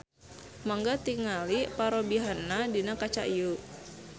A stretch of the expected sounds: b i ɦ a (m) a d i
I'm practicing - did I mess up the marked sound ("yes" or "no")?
yes